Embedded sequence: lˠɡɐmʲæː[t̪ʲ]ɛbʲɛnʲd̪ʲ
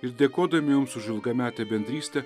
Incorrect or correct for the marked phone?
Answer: correct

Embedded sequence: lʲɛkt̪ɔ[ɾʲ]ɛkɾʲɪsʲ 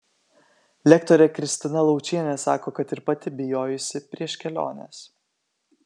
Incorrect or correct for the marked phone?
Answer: correct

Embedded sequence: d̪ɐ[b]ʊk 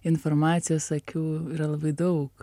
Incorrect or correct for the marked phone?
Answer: incorrect: none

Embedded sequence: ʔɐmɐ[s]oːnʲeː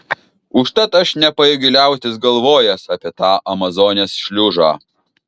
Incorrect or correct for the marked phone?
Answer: incorrect: z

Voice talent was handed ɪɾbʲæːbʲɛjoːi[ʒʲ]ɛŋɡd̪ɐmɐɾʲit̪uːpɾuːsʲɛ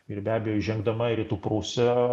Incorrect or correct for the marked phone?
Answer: correct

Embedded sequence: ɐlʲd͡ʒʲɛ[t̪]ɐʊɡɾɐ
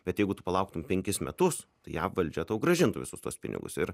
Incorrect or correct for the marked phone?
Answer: correct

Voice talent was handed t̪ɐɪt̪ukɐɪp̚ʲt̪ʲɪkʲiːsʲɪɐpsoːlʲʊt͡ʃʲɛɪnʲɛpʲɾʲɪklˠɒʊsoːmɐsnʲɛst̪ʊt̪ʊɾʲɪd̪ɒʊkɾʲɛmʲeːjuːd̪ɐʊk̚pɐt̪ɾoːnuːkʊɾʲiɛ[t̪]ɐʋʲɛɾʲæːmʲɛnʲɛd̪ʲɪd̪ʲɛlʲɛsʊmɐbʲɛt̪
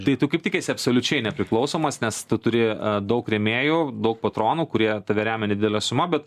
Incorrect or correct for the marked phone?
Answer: correct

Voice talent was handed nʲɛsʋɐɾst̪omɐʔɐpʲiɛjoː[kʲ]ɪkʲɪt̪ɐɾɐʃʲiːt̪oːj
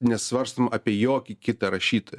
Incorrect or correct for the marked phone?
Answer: correct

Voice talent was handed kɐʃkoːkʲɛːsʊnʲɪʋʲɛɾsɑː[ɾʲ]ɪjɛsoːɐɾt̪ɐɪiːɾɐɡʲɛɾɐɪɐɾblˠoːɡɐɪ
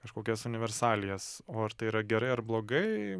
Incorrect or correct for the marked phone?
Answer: incorrect: lʲ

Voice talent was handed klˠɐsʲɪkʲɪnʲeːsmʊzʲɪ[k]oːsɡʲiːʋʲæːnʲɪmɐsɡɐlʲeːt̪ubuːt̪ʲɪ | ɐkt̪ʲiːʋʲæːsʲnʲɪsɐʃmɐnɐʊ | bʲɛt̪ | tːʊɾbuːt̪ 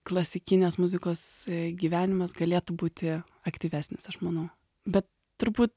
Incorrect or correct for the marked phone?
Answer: correct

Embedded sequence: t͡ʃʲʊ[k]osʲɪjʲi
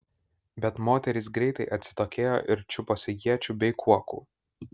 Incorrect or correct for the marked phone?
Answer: incorrect: p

